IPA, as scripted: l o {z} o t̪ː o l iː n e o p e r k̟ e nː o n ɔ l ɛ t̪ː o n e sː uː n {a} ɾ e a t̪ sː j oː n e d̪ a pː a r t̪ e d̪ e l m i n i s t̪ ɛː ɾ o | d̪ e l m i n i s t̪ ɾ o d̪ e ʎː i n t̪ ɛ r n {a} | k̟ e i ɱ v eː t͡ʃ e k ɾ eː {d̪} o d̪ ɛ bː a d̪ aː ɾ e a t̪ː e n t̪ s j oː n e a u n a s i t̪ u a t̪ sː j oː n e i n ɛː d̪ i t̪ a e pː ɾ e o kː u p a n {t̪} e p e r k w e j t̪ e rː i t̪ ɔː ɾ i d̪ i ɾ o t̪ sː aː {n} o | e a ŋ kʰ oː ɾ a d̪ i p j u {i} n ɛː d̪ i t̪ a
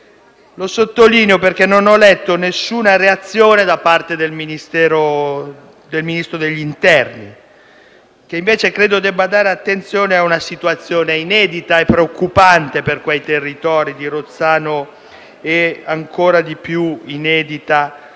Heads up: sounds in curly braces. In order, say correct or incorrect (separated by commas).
incorrect, correct, incorrect, correct, correct, correct, correct